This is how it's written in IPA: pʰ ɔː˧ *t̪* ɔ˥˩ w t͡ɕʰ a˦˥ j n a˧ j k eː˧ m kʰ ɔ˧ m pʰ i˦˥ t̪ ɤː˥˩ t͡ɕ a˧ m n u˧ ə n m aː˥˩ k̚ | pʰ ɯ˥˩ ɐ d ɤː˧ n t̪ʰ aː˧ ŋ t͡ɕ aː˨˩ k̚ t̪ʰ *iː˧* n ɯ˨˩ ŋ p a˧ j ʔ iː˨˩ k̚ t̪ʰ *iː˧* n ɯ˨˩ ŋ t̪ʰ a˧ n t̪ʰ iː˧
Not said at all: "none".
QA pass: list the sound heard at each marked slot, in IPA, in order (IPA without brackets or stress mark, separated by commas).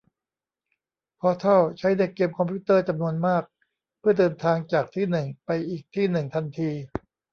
t̪ʰ, iː˥˩, iː˥˩